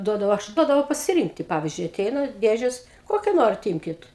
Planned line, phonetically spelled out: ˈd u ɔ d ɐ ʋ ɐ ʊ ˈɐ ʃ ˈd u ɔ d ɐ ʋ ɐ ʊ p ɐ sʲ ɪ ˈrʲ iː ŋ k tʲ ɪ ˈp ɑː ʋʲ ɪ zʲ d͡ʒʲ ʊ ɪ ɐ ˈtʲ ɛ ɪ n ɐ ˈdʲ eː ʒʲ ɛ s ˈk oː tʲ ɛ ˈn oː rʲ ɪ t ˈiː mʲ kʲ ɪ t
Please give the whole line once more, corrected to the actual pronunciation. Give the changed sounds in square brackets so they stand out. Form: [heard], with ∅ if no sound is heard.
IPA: ˈd u ɔ d ɐ ʋ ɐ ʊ ˈɐ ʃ ˈd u ɔ d ɐ ʋ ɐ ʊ p ɐ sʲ ɪ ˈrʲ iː ŋ k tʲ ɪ ˈp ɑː ʋʲ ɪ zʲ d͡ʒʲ ʊ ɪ ɐ ˈtʲ ɛ ɪ n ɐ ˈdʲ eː ʒʲ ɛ s ˈk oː [kʲ] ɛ ˈn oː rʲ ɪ t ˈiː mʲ kʲ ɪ t